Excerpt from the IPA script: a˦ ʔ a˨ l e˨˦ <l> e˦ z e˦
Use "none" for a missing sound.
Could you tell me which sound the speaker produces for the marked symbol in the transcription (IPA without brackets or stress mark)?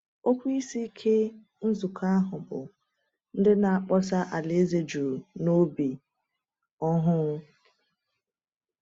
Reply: none